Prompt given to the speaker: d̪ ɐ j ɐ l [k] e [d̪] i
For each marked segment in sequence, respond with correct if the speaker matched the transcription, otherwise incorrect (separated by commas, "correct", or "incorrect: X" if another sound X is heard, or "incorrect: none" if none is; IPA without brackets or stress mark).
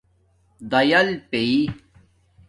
incorrect: p, incorrect: none